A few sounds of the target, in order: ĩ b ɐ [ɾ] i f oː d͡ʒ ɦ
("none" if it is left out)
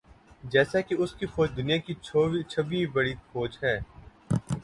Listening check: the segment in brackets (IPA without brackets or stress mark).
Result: ɽ